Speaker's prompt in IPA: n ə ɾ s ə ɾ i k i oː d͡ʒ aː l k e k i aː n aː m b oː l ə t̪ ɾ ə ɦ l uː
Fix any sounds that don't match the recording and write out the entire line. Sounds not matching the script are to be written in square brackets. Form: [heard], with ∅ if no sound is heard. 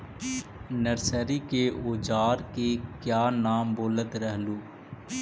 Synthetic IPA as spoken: n ə ɾ s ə ɾ i k [e] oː d͡ʒ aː [ɾ] k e k [j] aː n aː m b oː l ə t̪ ɾ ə ɦ l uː